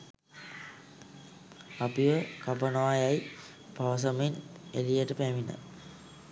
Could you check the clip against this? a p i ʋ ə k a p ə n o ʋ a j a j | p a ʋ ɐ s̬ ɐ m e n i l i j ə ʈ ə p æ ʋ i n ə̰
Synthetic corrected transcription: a p i ʋ ə k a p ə n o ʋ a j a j | p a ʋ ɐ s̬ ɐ m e n e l i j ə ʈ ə p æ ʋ i n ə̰